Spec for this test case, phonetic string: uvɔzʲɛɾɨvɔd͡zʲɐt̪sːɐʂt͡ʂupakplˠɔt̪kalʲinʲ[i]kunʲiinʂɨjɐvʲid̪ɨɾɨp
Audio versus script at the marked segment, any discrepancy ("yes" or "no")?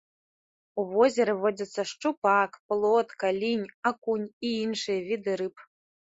yes